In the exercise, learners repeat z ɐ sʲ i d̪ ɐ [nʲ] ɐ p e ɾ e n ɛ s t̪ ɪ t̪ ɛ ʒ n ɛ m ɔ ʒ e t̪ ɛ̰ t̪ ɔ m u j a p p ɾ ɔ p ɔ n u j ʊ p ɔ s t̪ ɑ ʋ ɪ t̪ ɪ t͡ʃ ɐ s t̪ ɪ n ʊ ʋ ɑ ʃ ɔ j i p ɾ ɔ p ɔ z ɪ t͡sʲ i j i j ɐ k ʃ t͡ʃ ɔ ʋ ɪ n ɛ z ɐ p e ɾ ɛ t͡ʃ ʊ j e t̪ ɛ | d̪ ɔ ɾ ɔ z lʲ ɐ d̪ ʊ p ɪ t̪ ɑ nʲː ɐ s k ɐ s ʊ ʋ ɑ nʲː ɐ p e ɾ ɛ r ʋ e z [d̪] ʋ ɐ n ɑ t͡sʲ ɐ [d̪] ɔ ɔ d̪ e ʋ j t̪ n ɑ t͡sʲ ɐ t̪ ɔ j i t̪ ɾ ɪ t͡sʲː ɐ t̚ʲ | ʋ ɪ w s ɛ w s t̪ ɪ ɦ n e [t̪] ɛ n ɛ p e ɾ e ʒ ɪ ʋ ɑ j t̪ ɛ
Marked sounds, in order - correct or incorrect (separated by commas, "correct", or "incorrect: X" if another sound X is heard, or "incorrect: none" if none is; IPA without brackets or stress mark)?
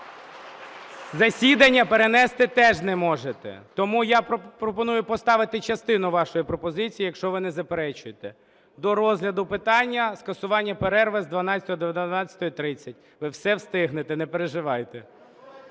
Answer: incorrect: nʲː, correct, incorrect: t̪, correct